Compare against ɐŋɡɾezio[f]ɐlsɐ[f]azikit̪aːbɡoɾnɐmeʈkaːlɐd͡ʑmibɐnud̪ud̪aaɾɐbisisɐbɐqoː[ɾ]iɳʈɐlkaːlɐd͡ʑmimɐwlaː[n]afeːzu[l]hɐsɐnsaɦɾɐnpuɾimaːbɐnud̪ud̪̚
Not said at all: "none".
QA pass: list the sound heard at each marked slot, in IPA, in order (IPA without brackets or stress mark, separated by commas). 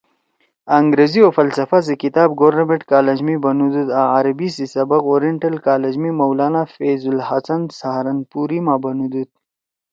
f, f, ɾ, n, l